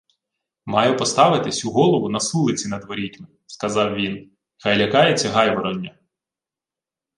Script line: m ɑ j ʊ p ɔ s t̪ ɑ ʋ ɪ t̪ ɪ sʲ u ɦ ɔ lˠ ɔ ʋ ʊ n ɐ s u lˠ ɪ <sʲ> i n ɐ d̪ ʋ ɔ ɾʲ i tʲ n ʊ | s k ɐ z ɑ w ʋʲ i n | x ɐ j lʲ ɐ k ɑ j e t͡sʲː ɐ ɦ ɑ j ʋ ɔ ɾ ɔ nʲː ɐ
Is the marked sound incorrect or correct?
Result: incorrect